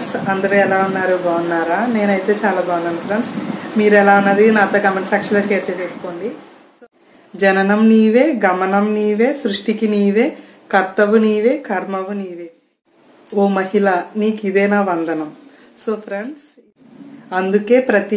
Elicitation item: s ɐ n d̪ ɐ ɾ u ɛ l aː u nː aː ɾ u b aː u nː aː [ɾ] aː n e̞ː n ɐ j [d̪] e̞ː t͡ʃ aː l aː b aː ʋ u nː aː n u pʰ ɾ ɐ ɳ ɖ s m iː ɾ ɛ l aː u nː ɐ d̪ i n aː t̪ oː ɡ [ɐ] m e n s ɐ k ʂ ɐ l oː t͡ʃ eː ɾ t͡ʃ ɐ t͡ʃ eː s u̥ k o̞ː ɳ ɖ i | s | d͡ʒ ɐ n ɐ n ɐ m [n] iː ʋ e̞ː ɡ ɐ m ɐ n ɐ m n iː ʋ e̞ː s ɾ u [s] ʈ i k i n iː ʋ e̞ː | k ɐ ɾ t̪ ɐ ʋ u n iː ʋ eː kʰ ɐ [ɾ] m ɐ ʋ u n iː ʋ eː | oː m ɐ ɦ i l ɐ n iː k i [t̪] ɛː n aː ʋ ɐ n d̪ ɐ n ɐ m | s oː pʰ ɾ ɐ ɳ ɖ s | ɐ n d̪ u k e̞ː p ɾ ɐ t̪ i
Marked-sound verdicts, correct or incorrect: correct, incorrect: t̪, correct, correct, incorrect: ʂ, correct, incorrect: d̪

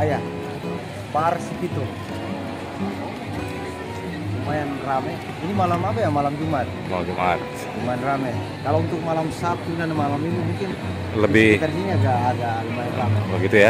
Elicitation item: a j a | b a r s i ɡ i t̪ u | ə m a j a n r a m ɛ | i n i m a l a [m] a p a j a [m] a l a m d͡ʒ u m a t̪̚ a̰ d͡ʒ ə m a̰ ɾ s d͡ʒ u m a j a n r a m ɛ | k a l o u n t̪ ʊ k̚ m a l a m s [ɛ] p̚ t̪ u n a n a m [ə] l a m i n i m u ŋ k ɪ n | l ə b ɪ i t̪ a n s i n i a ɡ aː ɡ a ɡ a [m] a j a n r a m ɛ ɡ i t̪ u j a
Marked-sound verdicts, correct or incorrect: correct, correct, incorrect: a, incorrect: a, correct

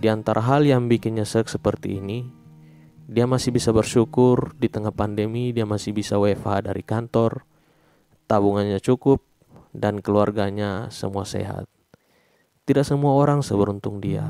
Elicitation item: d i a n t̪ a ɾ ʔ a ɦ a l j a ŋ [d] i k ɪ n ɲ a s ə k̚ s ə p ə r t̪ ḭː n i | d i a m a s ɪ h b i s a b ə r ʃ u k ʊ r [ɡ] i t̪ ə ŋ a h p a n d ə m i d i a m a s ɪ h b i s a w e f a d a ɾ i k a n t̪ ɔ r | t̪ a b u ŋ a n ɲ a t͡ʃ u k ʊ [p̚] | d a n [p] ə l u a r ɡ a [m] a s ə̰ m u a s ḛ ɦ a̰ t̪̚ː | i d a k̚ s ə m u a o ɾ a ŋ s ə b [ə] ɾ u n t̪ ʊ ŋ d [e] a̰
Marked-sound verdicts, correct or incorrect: incorrect: b, incorrect: d, correct, incorrect: k, incorrect: ɲ, correct, incorrect: i

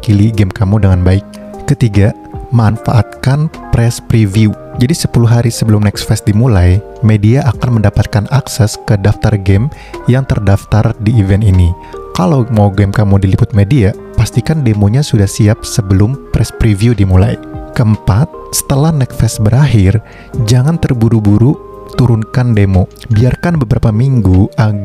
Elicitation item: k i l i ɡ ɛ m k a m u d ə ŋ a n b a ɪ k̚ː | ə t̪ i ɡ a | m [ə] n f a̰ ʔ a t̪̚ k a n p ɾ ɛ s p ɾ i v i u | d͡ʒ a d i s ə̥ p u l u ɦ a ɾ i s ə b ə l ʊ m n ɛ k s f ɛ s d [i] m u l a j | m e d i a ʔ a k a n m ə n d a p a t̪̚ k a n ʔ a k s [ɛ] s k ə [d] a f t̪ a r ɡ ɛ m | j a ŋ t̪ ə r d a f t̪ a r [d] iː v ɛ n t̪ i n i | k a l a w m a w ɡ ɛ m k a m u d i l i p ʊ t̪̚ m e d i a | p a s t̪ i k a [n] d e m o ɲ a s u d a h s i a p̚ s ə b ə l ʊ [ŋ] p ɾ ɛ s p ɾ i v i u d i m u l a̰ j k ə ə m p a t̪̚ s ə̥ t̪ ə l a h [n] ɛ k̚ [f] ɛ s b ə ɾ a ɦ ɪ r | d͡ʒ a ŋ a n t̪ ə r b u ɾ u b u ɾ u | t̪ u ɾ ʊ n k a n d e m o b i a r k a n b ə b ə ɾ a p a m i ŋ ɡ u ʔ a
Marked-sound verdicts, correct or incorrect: incorrect: a, correct, correct, correct, correct, correct, incorrect: m, correct, correct

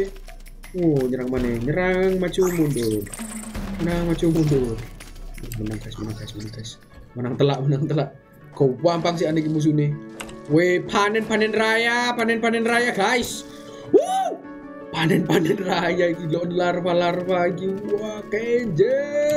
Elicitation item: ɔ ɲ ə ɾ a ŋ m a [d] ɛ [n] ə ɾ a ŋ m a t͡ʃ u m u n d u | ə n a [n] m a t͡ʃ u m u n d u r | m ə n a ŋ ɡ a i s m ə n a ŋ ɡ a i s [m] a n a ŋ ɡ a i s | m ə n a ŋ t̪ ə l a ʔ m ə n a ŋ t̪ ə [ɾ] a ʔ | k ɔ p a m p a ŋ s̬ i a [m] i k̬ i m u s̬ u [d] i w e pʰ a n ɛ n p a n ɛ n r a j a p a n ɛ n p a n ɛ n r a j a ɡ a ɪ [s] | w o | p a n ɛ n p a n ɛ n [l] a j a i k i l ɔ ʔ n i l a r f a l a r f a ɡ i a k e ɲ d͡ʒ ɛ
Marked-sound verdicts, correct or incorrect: incorrect: n, incorrect: ɲ, incorrect: ŋ, correct, incorrect: l, incorrect: n, incorrect: n, correct, incorrect: r

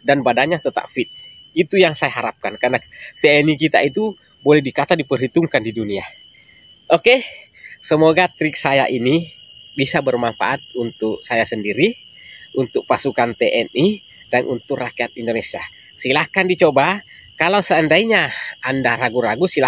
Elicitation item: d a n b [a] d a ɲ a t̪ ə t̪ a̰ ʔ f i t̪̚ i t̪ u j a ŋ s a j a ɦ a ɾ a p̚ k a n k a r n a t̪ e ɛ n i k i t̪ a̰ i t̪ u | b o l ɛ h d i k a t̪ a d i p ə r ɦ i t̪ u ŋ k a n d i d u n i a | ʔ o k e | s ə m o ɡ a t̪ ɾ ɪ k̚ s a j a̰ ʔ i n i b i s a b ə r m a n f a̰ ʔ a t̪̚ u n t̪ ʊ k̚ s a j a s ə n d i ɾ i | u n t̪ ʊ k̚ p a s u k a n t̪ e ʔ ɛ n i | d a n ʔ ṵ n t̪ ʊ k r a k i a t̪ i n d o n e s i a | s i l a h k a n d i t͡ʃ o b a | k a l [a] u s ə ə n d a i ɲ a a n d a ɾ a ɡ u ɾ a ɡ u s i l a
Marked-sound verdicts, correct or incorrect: correct, correct

